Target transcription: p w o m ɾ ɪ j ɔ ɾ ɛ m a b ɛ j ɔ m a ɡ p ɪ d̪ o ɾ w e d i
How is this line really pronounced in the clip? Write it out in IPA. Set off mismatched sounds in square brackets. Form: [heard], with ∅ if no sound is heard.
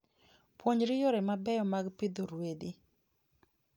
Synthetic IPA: p w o [ɲ] ɾ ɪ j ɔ ɾ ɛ m a b ɛ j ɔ m a ɡ p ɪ d̪ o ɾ w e d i

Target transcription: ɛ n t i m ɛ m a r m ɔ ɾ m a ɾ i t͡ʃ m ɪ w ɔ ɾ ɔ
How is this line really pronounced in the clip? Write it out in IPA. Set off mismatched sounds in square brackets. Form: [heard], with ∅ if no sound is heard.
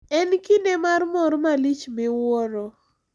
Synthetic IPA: ɛ n [k] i [n] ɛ m a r m ɔ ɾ m a [l] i t͡ʃ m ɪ w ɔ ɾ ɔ

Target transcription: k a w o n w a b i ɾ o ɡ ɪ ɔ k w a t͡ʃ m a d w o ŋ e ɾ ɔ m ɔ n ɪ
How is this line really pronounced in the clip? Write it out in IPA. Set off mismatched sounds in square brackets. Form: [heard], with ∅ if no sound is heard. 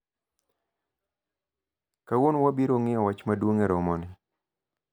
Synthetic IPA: k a w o n w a b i ɾ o [ŋ] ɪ ɔ [∅] w a t͡ʃ m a d w o ŋ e ɾ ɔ m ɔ n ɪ

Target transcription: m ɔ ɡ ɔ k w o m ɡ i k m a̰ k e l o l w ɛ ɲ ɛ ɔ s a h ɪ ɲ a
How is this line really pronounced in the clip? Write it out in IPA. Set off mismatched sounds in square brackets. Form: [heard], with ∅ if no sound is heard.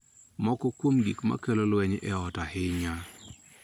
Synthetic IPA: m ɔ [k] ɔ k w o m ɡ i k m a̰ k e l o l w ɛ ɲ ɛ ɔ [t] a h ɪ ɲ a

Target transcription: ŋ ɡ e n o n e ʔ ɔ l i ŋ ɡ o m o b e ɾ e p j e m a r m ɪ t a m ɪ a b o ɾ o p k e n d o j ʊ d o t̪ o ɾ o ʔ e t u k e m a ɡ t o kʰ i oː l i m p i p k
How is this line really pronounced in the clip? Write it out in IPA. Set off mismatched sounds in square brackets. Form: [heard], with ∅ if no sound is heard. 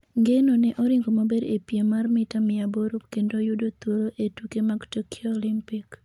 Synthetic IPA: ŋ ɡ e n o n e ʔ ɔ [ɾ] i ŋ ɡ o m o b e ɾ e p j e m a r m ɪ t a m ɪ a b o ɾ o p k e n d o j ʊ d o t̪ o ɾ o ʔ e t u k e m a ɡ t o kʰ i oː l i m p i [∅] k

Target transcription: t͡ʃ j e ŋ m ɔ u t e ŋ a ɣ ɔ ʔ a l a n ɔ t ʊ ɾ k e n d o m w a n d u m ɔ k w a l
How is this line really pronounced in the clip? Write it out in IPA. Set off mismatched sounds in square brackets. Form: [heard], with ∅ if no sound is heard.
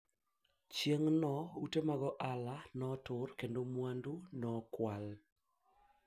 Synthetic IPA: t͡ʃ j e ŋ [n] ɔ u t e [m] a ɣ ɔ ʔ a l a n ɔ t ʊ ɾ k e n d o m w a n d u [n] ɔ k w a l

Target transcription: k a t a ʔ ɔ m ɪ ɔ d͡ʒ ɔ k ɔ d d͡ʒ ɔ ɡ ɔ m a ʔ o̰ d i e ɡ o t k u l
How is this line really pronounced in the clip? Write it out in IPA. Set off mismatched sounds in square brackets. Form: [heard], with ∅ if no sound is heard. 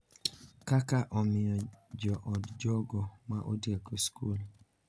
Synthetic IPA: k a [k] a ʔ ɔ m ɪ ɔ d͡ʒ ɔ [ʔ] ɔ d d͡ʒ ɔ ɡ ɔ m a ʔ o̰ d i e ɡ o [s] k u l

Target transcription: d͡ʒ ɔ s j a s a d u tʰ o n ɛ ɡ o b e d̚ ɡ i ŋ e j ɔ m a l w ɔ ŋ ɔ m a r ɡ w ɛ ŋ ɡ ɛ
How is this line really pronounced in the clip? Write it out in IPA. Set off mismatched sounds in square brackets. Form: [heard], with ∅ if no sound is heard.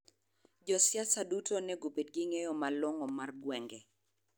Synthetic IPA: d͡ʒ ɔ s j a s a d u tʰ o n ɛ ɡ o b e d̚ ɡ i ŋ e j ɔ m a l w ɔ ŋ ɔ m a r ɡ w ɛ ŋ ɡ ɛ

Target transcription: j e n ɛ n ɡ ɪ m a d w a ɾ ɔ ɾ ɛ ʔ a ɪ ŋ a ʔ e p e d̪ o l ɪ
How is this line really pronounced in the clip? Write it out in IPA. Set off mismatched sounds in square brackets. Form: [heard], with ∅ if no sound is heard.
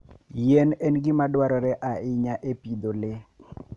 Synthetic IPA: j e n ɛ n ɡ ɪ m a d w a ɾ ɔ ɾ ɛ ʔ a ɪ [ɲ] a ʔ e p [i] d̪ o l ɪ

